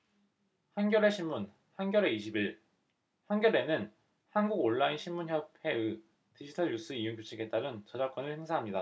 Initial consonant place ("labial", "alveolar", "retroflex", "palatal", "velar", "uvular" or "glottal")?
glottal